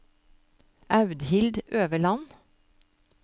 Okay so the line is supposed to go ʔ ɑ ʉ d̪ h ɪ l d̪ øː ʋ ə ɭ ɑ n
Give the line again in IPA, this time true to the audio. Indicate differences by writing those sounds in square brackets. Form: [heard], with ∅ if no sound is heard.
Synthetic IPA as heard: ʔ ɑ ʉ d̪ h ɪ l d̪ øː ʋ ə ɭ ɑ n